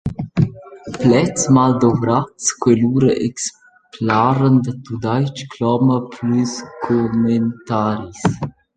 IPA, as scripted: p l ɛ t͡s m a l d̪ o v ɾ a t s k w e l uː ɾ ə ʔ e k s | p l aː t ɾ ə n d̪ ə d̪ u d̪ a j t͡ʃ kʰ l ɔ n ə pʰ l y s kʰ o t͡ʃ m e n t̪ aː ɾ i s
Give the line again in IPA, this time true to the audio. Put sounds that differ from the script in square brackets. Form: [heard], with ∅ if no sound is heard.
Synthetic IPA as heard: p l ɛ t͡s m a l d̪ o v ɾ a t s k w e l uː ɾ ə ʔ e k s | p l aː [∅] ɾ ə n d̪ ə [t̪] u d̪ a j t͡ʃ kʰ l ɔ [m] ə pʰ l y s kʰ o [∅] m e n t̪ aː ɾ i s